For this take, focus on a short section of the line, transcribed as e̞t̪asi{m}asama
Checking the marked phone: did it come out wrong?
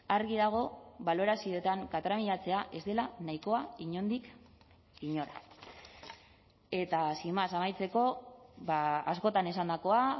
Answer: no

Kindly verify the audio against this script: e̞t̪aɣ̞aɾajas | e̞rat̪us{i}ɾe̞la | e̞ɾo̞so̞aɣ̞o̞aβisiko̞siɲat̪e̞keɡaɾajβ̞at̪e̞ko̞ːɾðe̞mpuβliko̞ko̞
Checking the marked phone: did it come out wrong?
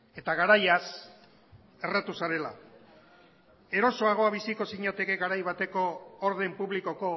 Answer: yes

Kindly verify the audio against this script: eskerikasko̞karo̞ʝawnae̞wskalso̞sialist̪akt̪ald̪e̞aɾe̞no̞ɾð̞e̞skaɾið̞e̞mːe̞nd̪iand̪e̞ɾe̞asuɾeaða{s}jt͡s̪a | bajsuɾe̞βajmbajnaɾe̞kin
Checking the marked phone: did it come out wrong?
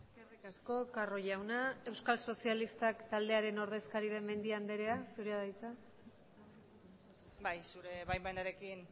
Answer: yes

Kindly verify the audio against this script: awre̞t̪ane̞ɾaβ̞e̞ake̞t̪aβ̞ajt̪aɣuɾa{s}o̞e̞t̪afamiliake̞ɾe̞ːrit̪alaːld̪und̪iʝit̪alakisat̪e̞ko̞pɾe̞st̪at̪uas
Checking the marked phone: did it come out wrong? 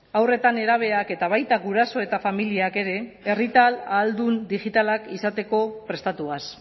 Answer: no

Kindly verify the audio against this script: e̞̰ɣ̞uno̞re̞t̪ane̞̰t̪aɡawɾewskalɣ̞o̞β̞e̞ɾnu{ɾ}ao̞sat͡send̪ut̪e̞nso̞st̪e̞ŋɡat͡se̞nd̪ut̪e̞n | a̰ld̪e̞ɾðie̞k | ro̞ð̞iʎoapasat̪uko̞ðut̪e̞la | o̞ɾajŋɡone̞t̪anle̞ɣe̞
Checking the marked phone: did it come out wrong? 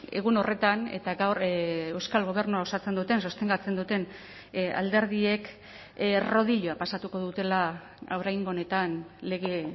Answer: yes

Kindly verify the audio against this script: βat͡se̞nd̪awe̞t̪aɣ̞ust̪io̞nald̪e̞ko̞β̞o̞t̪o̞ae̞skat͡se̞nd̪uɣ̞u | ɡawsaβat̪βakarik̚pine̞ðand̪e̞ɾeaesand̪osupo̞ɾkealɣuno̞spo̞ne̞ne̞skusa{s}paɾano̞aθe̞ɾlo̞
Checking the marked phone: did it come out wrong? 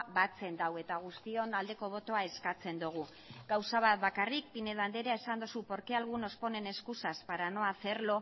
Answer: no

